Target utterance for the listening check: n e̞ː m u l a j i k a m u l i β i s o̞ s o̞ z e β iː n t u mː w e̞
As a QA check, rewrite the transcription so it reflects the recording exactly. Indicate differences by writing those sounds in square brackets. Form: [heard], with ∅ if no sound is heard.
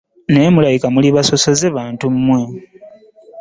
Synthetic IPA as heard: n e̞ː m u l a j i k a m u l i β [a] s o̞ s o̞ z e β [aː] n t u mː w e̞